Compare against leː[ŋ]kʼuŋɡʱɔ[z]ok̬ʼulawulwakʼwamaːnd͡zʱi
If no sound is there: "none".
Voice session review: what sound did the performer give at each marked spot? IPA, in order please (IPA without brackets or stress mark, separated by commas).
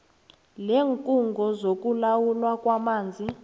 ŋ, z